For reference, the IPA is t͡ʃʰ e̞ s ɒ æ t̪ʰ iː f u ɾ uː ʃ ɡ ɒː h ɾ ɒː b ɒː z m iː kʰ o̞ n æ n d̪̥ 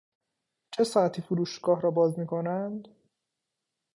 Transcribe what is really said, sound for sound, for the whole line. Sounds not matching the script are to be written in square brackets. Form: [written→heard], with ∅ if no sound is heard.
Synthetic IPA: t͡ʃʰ e̞ s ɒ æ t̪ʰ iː f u ɾ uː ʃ ɡ ɒː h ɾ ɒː b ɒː z m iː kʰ o̞ n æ n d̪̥

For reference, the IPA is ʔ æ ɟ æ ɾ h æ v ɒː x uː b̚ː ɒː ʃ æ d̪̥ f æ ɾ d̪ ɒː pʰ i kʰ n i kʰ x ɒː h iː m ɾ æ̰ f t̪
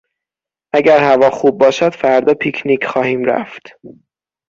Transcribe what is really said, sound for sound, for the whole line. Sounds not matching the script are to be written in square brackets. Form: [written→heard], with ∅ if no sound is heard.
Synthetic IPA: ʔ æ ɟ æ ɾ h æ v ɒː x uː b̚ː ɒː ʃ æ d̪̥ f æ ɾ d̪ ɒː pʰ i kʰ n i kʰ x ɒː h iː m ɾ æ̰ f t̪

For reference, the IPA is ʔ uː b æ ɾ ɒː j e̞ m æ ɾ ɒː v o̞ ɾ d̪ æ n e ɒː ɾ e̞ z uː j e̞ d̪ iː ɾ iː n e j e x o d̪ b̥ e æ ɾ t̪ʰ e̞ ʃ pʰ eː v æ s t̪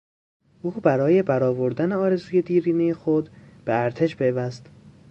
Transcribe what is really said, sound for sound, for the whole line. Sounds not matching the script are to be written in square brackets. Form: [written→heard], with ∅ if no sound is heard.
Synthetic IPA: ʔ uː b æ ɾ ɒː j e̞ [m→b] æ ɾ ɒː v o̞ ɾ d̪ æ n e ɒː ɾ e̞ z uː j e̞ d̪ iː ɾ iː n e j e x o d̪ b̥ e æ ɾ t̪ʰ e̞ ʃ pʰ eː v æ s t̪

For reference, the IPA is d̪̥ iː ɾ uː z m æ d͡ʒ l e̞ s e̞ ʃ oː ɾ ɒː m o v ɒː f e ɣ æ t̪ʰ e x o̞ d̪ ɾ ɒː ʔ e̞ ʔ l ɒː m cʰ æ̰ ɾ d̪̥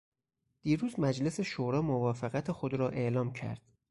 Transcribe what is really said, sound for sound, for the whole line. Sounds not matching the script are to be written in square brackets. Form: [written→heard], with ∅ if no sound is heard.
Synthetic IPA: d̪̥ iː ɾ uː z m æ d͡ʒ l e̞ s e̞ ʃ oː ɾ ɒː m o v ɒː f e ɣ æ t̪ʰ e x o̞ d̪ ɾ ɒː ʔ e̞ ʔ l ɒː m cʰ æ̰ ɾ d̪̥

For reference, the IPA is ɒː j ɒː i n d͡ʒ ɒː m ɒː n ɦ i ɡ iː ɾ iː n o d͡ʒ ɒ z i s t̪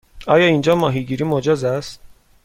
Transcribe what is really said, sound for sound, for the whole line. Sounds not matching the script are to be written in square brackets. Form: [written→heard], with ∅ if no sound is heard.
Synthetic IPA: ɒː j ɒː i n d͡ʒ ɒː m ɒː [n→∅] ɦ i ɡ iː ɾ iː [n→m] o d͡ʒ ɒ z [i→æ] s t̪

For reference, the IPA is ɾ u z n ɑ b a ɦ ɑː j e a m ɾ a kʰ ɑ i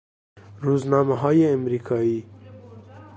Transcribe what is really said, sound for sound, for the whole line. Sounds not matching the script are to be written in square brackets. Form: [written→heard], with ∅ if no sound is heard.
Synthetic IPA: ɾ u z n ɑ [b→m] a ɦ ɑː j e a m ɾ [a→i] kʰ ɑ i

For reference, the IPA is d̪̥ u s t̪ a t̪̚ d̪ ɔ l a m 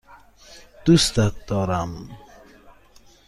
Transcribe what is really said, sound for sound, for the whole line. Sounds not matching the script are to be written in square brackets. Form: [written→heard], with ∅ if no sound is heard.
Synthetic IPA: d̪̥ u s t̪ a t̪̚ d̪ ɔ [l→ɾ] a m

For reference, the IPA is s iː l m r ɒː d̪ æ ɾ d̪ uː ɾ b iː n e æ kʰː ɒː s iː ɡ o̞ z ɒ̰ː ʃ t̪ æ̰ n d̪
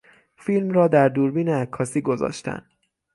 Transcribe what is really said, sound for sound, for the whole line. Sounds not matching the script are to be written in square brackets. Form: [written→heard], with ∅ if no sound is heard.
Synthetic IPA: [s→f] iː l m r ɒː d̪ æ ɾ d̪ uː ɾ b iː n e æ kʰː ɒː s iː ɡ o̞ z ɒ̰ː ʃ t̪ æ̰ n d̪

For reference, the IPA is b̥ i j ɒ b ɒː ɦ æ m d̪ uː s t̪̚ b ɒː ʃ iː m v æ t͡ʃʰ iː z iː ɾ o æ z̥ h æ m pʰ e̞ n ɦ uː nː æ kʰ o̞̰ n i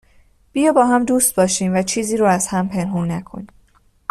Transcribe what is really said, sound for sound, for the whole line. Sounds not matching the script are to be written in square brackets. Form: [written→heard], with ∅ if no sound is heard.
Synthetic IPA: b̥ i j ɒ b ɒː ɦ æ m d̪ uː s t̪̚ b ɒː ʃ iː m v æ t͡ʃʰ iː z iː ɾ o æ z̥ h æ m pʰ e̞ n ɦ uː nː æ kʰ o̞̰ n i

